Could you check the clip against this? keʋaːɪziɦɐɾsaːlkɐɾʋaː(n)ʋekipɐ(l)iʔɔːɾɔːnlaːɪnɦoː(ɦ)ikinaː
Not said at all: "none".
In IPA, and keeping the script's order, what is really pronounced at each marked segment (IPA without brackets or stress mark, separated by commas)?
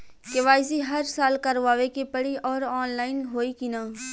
none, ɽ, none